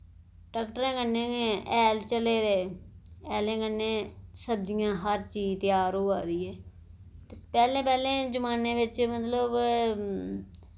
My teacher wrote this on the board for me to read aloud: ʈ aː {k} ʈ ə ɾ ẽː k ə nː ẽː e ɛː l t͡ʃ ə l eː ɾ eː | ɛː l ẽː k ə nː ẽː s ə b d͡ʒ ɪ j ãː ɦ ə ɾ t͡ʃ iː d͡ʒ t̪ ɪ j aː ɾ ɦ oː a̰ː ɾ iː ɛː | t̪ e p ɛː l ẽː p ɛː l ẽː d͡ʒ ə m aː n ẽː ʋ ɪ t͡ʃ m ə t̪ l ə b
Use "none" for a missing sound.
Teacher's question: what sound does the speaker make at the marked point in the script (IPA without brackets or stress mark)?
k